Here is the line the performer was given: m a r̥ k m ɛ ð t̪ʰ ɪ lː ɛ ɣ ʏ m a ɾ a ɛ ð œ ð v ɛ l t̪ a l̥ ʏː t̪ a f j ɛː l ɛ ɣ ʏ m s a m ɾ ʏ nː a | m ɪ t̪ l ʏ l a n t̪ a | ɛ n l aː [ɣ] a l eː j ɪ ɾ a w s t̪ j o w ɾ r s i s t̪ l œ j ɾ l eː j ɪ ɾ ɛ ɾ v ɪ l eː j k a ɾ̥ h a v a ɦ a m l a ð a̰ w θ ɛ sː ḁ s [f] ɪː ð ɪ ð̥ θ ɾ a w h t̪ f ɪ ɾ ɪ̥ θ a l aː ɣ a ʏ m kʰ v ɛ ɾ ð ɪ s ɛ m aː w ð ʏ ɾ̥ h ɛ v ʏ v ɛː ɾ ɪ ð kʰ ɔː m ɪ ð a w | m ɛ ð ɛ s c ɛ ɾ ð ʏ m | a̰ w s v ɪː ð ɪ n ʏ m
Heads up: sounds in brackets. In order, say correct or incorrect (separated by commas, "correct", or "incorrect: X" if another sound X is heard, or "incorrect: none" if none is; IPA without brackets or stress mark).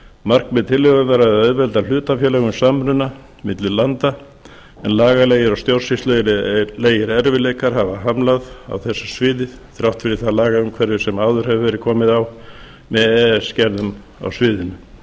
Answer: correct, incorrect: v